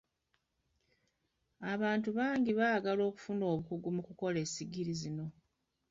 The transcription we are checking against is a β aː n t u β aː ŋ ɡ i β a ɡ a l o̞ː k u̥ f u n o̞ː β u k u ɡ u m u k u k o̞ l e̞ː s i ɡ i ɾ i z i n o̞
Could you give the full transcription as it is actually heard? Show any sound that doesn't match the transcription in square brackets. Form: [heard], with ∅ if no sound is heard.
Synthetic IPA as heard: a β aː n t u β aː ŋ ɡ i β a ɡ a l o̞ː k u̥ f u n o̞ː β u k u ɡ u m u k u k o̞ l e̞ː s i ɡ i ɾ i z i n o̞